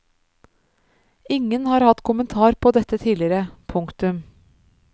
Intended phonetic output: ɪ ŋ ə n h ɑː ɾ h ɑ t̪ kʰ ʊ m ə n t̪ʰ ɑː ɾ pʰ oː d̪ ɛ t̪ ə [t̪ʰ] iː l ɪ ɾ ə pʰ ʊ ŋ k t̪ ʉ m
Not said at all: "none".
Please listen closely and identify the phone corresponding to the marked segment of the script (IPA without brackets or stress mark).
t̪ʰ